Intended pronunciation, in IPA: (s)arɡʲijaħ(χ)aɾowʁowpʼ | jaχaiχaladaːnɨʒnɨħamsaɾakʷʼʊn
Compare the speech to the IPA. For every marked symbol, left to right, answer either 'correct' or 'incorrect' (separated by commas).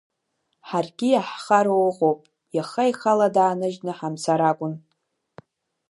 incorrect, correct